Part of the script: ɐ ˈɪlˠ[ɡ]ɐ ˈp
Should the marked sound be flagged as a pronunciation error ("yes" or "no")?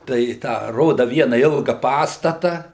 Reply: no